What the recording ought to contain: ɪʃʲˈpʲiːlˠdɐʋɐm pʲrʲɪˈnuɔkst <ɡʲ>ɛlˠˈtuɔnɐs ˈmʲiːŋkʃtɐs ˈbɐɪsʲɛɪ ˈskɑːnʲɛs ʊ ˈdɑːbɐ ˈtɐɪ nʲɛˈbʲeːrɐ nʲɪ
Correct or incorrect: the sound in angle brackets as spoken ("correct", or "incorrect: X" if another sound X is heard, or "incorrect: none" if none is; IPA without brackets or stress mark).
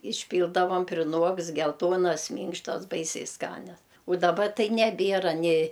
correct